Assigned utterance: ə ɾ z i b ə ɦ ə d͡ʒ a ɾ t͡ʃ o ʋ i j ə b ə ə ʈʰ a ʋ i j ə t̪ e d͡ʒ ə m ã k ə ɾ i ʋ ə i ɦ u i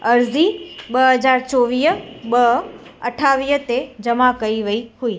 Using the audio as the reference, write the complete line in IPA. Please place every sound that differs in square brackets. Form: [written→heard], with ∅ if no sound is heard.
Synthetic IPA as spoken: ə ɾ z i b ə ɦ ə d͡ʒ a ɾ t͡ʃ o ʋ i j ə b ə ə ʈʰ a ʋ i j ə t̪ e d͡ʒ ə m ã k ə [ɾ→∅] i ʋ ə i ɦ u i